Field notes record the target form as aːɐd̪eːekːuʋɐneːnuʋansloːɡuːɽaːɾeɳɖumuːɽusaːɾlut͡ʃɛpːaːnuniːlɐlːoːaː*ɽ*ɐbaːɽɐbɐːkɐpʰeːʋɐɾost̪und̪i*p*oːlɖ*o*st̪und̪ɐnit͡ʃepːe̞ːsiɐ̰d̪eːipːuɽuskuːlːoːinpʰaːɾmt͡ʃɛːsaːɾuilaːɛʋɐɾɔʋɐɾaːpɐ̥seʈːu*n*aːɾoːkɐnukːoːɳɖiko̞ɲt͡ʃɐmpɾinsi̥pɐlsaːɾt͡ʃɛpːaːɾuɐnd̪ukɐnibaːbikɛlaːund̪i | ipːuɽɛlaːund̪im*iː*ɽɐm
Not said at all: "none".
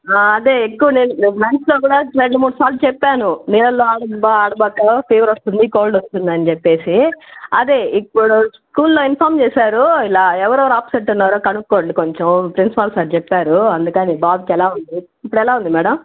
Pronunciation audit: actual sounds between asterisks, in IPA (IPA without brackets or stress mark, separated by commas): ɽ, k, o, nː, ɛː